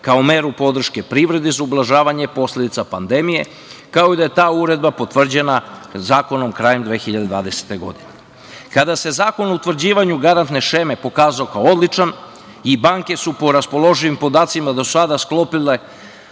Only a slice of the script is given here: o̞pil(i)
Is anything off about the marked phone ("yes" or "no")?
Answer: yes